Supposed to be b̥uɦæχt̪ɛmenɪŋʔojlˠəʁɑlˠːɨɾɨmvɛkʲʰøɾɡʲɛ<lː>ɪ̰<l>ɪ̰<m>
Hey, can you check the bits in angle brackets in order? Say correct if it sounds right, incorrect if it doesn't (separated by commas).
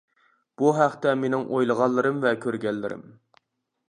correct, incorrect, correct